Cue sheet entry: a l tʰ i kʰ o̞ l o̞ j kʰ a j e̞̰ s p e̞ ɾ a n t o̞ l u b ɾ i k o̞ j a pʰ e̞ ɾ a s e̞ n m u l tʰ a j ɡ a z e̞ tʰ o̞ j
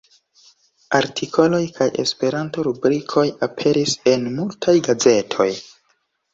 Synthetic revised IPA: a ɾ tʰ i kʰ o̞ l o̞ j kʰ a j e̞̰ s p e̞ ɾ a n t o̞ ɾ u b ɾ i kʰ o̞ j a pʰ e̞ ɾ i s e̞ n m u l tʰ a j ɡ a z e̞ tʰ o̞ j